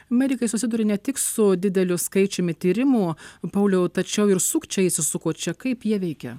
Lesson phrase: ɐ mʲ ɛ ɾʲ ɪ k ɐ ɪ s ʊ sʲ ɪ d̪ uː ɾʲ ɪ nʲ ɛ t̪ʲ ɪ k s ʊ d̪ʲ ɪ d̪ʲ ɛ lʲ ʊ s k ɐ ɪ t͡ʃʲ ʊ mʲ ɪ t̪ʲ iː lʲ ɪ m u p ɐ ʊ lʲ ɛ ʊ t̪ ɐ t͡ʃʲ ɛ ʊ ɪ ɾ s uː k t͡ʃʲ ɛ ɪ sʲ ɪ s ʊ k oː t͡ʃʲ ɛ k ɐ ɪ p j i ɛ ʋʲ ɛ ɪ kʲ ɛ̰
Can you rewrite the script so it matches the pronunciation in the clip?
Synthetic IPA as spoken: ɐ mʲ ɛ ɾʲ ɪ k ɐ ɪ s ʊ sʲ ɪ d̪ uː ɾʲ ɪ nʲ ɛ t̪ʲ ɪ k s ʊ d̪ʲ ɪ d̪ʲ ɛ lʲ ʊ s k ɐ ɪ t͡ʃʲ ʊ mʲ ɪ t̪ʲ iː ɾʲ ɪ m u p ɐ ʊ lʲ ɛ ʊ t̪ ɐ t͡ʃʲ ɛ ʊ ɪ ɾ s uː k t͡ʃʲ ɛ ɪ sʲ ɪ s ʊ k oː t͡ʃʲ ɛ k ɐ ɪ p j i ɛ ʋʲ ɛ ɪ kʲ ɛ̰